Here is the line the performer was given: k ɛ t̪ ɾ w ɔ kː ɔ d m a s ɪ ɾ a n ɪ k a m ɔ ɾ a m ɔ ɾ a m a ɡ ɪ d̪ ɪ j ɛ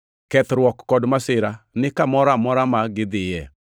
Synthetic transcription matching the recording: k ɛ t̪ ɾ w ɔ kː ɔ d m a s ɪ ɾ a n ɪ k a m ɔ ɾ a m ɔ ɾ a m a ɡ ɪ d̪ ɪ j ɛ

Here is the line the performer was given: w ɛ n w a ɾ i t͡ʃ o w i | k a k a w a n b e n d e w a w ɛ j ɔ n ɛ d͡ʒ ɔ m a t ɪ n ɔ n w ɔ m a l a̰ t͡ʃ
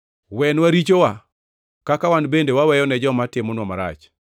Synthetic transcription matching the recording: w ɛ n w a ɾ i t͡ʃ o w a | k a k a w a n b e n d e w a w ɛ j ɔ n ɛ d͡ʒ ɔ m a t ɪ m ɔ n w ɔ m a ɾ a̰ t͡ʃ

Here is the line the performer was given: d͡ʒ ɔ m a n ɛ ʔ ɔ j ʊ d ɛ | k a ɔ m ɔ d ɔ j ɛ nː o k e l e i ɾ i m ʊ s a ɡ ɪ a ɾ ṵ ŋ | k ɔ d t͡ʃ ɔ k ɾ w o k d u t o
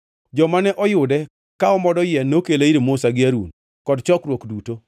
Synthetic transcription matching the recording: d͡ʒ ɔ m a n ɛ ʔ ɔ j ʊ d ɛ | k a ɔ m ɔ d ɔ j ɛ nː o k e l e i ɾ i m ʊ s a ɡ ɪ a ɾ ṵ n | k ɔ d t͡ʃ ɔ k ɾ w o k d u t o

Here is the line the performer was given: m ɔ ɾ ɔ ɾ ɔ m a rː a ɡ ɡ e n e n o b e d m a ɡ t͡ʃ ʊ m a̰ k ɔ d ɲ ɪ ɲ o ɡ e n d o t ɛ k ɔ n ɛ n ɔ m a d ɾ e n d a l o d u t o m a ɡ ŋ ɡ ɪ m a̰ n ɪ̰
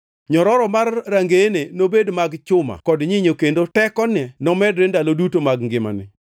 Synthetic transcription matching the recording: ɲ ɔ ɾ ɔ ɾ ɔ m a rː a ŋ ɡ e n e n o b e d m a ɡ t͡ʃ ʊ m a̰ k ɔ d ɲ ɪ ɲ o k e n d o t ɛ k ɔ n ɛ n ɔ m ɛ d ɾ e n d a l o d u t o m a ɡ ŋ ɡ ɪ m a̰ n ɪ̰

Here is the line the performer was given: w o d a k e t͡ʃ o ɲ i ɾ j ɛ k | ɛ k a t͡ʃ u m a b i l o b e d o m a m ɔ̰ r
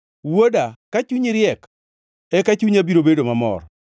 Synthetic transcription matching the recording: w o d a k a t͡ʃ u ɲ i ɾ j ɛ k | ɛ k a t͡ʃ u ɲ a b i ɾ o b e d o m a m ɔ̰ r

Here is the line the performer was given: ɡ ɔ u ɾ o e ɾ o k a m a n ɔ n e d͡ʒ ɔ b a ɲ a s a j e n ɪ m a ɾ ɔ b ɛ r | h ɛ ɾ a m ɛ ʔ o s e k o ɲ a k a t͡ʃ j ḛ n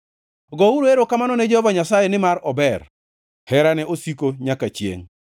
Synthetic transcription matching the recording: ɡ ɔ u ɾ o e ɾ o k a m a n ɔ n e d͡ʒ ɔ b a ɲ a s a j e n ɪ m a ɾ ɔ b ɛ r | h ɛ ɾ a n ɛ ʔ o s i k o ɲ a k a t͡ʃ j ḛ ŋ

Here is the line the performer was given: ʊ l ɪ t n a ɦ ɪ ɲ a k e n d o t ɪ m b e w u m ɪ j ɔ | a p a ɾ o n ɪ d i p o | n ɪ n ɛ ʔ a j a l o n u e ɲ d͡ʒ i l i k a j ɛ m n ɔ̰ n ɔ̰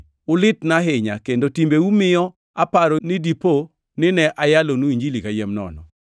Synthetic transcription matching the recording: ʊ l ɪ t n a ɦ ɪ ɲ a k e n d o t i m b e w u m ɪ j ɔ | a p a ɾ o n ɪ d i p o | n ɪ n ɛ ʔ a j a l o n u i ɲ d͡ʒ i l i k a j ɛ m n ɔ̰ n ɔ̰

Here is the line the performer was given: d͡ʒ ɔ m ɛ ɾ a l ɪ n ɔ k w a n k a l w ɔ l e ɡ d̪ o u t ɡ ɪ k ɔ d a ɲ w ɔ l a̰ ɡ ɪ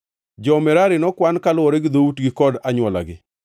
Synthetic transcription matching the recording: d͡ʒ ɔ m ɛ ɾ a ɾ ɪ n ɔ k w a n k a l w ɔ ɾ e ɡ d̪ o u t ɡ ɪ k ɔ d a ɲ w ɔ l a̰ ɡ ɪ

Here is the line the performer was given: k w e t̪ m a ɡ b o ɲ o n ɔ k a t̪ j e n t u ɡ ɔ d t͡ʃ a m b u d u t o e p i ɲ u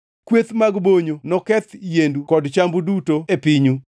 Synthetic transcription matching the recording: k w e t̪ m a ɡ b o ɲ o n ɔ k ɛ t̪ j e n d u k ɔ d t͡ʃ a m b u d u t o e p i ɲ u

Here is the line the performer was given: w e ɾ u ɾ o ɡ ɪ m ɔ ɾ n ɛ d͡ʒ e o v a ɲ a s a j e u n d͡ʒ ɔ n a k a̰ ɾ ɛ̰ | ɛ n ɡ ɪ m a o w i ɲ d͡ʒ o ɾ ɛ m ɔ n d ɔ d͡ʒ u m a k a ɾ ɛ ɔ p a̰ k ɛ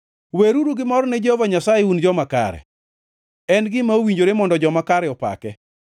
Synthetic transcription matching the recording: w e ɾ u ɾ u ɡ ɪ m ɔ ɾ n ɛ d͡ʒ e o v a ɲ a s a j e u n d͡ʒ ɔ m a k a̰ ɾ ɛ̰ | ɛ n ɡ ɪ m a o w i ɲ d͡ʒ o ɾ e m ɔ n d ɔ d͡ʒ ɔ m a k a ɾ ɛ ɔ p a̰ k ɛ

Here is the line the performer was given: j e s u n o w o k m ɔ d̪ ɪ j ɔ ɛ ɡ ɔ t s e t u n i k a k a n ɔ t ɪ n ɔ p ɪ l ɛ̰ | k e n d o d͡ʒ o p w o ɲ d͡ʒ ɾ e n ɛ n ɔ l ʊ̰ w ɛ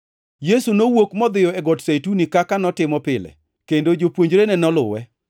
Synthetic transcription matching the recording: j e s u n o w o k m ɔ d̪ ɪ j ɔ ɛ ɡ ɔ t s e t u n i k a k a n ɔ t ɪ m ɔ p ɪ l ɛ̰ | k e n d o d͡ʒ o p w o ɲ d͡ʒ ɾ e n ɛ n ɔ l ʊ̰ w ɛ

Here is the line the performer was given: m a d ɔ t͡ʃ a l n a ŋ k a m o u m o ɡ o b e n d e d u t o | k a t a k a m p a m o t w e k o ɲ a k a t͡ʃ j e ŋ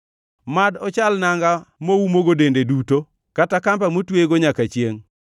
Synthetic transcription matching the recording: m a d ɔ t͡ʃ a l n a ŋ ɡ a m o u m o ɡ o d e n d e d u t o | k a t a k a m p a m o t w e ɡ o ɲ a k a t͡ʃ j e ŋ

